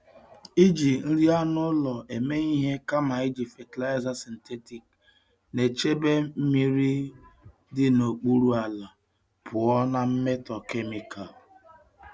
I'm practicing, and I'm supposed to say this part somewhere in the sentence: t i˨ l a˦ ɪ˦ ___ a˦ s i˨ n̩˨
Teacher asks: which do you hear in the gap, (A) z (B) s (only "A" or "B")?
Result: A